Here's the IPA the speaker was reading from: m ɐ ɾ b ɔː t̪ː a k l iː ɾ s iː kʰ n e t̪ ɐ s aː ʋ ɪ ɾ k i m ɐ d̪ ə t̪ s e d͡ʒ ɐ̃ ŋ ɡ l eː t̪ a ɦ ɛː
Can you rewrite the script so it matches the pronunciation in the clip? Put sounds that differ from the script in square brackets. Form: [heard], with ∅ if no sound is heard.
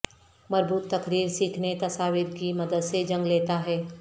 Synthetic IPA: m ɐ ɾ b [uː] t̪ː [ɐ] k [ɾ] iː ɾ s iː kʰ n e t̪ ɐ s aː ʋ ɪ ɾ k i m ɐ d̪ ə [d̪] s e d͡ʒ ɐ̃ ŋ ɡ l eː t̪ a ɦ ɛː